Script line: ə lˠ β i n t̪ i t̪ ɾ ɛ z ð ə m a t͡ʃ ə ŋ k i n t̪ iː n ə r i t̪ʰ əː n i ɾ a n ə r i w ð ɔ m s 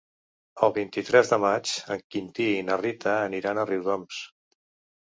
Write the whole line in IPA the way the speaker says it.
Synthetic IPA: ə lˠ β i n t̪ i t̪ ɾ ɛ z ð ə m a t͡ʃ ə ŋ k i n t̪ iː n ə r i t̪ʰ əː n i ɾ a n ə r i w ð ɔ m s